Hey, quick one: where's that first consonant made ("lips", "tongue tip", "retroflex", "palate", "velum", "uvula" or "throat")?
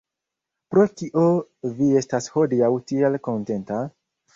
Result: lips